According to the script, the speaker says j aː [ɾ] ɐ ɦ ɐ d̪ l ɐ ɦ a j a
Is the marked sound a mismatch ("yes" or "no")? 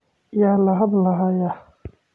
yes